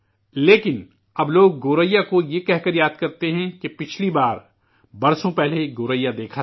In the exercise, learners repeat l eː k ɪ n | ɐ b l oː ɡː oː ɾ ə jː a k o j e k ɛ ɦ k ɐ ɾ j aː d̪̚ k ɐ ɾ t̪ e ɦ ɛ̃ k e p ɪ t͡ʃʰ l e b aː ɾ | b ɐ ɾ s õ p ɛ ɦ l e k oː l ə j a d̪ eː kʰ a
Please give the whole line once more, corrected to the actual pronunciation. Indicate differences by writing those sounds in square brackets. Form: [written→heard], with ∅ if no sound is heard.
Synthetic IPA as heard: l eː k ɪ n | ɐ b l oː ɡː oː ɾ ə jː a k o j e k ɛ ɦ k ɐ ɾ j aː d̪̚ k ɐ ɾ t̪ e ɦ ɛ̃ k e p ɪ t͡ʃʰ l [e→i] b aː ɾ | b ɐ ɾ s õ p ɛ ɦ l e [k→ɡ] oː [l→ɾ] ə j a d̪ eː kʰ a